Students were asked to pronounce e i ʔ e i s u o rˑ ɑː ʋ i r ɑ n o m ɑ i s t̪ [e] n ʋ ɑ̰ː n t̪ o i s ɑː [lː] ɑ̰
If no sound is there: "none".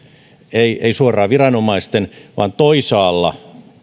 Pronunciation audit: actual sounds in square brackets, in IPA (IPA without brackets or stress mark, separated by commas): e, lː